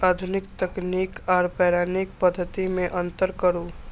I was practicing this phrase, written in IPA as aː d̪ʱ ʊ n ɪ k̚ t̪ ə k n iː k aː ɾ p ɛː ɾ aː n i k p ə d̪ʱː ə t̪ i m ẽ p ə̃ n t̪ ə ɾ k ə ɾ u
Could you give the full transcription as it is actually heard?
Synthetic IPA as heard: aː d̪ʱ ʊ n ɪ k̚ t̪ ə k n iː k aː ɾ p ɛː ɾ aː n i k p ə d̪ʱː ə t̪ i m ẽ ʔ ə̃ n t̪ ə ɾ k ə ɾ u

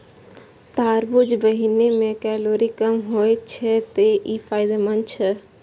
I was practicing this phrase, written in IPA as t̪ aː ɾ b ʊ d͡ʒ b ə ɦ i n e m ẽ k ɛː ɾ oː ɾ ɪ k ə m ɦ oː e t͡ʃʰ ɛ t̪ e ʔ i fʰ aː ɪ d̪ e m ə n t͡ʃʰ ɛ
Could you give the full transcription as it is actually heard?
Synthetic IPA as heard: t̪ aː ɾ b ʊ d͡ʒ b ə ɦ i n e m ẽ k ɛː l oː ɾ i k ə m ɦ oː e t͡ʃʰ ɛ t̪ e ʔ i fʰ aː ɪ d̪ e m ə n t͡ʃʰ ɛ

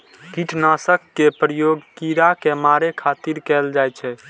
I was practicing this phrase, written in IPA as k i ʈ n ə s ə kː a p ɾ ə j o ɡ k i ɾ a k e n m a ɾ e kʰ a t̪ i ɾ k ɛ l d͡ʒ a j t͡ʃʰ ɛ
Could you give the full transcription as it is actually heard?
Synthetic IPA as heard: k i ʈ n a s ə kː e p ɾ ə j o ɡ k i ɾ a k e m a ɾ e kʰ a t̪ i ɾ k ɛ l d͡ʒ a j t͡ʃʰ ɛ

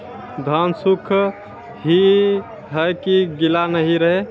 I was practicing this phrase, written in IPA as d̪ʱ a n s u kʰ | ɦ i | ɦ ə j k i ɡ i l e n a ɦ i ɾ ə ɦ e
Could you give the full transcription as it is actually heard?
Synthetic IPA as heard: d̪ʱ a n s u kʰ | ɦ i | ɦ ə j k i ɡ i l a n ə ɦ i ɾ ə ɦ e

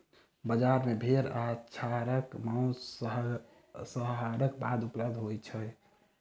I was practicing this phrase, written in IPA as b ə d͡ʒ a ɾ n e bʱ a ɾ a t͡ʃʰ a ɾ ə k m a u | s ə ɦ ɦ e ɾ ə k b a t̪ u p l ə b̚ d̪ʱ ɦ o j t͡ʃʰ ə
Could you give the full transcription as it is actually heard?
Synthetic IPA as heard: b ə d͡ʒ a ɾ m e bʱ e ɾ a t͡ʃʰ a ɾ ə k m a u | s ə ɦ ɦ a ɾ ə k b a d̪ u p l ə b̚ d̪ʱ ɦ o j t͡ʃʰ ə

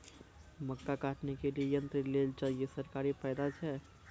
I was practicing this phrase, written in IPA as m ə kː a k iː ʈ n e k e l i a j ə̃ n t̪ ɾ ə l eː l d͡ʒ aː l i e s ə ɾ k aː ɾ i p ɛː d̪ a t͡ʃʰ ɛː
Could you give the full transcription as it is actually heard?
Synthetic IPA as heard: m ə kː a k aː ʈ n e k e l i e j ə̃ n t̪ ɾ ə l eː l d͡ʒ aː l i e s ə ɾ k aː ɾ i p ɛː d̪ a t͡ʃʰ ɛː

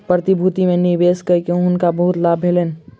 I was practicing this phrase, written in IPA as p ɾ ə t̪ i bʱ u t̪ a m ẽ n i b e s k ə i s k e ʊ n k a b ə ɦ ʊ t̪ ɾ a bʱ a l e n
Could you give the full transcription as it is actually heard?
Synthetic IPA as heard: p ɾ ə t̪ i bʱ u t̪ i m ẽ n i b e s k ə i k e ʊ n k a b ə ɦ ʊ t̪ l a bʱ e l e n

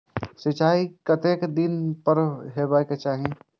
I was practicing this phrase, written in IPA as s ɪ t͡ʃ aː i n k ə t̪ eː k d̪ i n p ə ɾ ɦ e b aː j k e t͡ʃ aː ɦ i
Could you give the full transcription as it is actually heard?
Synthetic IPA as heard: s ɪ t͡ʃ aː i k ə t̪ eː k d̪ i n p ə ɾ ɦ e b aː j k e t͡ʃ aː ɦ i

